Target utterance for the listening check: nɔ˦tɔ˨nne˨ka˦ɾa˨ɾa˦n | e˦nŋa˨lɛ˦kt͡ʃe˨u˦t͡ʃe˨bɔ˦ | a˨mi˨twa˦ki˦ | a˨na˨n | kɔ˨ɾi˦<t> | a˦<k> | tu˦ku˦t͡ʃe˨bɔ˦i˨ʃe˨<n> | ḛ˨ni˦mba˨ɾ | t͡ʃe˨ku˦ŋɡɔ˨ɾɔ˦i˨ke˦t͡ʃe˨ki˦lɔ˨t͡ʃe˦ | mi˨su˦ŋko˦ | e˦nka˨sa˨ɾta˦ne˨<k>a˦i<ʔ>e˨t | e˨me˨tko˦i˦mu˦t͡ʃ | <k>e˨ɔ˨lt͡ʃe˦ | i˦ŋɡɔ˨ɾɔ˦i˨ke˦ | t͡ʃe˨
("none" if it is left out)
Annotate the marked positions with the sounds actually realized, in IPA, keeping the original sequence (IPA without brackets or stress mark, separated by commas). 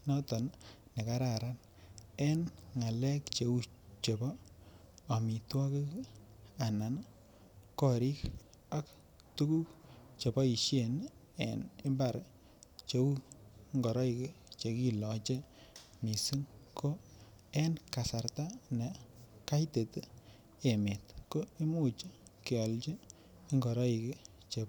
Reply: k, k, n, k, t, k